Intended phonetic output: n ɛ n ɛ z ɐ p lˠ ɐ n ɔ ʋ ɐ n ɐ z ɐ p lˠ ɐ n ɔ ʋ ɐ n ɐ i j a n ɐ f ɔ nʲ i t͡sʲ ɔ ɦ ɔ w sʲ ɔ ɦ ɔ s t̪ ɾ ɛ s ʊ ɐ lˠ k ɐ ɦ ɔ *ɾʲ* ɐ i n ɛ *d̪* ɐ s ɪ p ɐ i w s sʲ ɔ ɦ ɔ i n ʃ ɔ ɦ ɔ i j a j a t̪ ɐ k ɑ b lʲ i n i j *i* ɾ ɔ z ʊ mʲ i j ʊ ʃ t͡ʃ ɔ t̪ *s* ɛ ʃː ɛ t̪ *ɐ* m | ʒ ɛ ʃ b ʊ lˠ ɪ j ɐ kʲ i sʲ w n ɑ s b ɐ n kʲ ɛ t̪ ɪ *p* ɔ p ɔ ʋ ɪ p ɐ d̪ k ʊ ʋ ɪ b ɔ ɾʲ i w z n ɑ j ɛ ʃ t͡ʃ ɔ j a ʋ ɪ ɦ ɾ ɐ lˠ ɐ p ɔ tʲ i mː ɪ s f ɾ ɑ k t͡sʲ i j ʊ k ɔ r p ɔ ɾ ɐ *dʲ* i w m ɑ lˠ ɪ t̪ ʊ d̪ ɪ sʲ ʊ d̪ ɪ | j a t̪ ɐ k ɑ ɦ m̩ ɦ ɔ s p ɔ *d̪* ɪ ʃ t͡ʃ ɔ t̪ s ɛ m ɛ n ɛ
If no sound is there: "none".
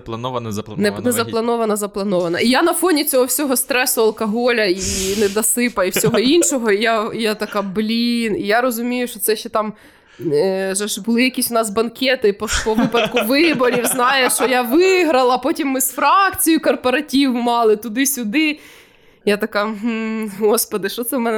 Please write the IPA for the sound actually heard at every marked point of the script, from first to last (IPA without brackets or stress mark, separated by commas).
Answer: lʲ, d̪, a, s, ɑ, p, tʲ, d̪